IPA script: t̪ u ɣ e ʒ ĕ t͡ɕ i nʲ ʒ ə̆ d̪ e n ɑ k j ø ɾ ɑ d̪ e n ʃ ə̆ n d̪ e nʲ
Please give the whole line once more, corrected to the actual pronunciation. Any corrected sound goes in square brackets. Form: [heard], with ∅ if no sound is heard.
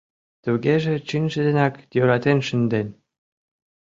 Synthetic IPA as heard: t̪ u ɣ e ʒ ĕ t͡ɕ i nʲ ʒ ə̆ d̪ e n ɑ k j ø ɾ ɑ [t̪] e n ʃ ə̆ n d̪ e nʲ